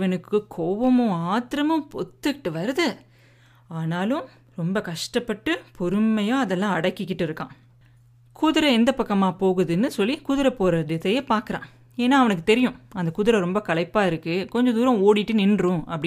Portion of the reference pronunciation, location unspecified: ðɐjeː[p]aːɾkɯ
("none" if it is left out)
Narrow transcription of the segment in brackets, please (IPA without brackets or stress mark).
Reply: p